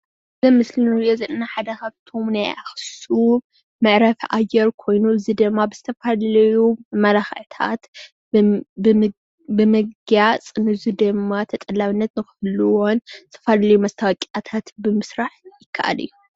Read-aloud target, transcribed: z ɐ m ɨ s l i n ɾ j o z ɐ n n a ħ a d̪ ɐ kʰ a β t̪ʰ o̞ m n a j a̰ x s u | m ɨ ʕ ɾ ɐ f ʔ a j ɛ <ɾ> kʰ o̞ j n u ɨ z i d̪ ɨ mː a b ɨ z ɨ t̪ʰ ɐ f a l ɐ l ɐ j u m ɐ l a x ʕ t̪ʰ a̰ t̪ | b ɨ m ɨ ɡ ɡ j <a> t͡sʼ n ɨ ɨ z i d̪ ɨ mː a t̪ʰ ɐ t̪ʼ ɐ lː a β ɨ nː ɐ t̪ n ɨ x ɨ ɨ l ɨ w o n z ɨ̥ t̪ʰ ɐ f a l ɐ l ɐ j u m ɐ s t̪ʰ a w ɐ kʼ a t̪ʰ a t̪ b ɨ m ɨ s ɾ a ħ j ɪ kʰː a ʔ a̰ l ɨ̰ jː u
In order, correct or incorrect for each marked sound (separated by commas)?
correct, correct